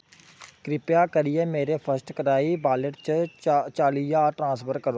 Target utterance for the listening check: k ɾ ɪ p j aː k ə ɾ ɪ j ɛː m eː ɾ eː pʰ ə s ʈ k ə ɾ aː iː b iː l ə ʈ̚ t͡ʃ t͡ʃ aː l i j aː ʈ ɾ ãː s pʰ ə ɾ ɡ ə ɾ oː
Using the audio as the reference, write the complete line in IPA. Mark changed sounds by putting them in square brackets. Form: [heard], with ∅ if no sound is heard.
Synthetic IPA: k ɾ ɪ p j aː k ə ɾ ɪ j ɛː m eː ɾ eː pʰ ə s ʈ k ə ɾ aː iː b [aː] l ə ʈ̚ t͡ʃ t͡ʃ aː l i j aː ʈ ɾ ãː s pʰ ə ɾ [k] ə ɾ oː